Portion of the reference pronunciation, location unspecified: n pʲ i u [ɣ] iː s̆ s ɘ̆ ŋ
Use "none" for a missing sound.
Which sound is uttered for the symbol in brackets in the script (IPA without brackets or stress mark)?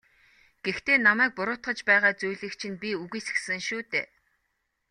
ɣ